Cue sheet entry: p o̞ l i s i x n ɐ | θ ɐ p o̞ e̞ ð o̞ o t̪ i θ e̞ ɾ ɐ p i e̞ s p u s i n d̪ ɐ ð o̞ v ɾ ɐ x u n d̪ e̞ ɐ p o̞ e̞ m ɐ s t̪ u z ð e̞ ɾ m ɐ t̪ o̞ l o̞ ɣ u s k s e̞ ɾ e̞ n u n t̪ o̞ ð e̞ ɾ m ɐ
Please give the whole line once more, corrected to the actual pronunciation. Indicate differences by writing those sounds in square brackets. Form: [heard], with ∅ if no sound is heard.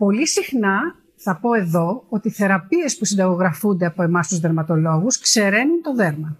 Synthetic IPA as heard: p o̞ l i s i x n ɐ | θ ɐ p o̞ e̞ ð o̞ o t̪ i θ e̞ ɾ ɐ p i e̞ s p u s i n d̪ ɐ [ɣ] o̞ [ɣ] ɾ ɐ [f] u n d̪ e̞ ɐ p o̞ e̞ m ɐ s t̪ u z ð e̞ ɾ m ɐ t̪ o̞ l o̞ ɣ u s k s e̞ ɾ e̞ n u n t̪ o̞ ð e̞ ɾ m ɐ